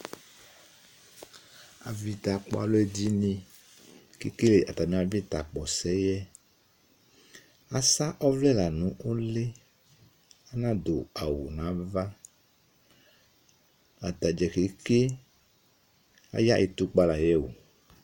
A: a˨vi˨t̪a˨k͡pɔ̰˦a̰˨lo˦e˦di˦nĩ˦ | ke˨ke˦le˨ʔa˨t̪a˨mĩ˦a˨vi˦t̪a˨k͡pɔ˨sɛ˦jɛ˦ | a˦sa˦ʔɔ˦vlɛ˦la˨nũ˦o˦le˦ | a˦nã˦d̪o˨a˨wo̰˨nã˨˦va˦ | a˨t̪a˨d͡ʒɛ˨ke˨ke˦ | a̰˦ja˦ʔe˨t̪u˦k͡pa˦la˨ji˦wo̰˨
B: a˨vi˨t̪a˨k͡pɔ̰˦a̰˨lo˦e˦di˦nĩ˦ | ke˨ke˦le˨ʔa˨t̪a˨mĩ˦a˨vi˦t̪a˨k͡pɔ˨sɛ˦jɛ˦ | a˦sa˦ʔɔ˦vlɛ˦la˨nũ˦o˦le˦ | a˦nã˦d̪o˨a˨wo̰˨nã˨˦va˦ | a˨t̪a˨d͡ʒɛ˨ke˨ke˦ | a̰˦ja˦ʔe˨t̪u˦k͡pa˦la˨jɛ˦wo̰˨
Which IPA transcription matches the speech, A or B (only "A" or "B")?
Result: B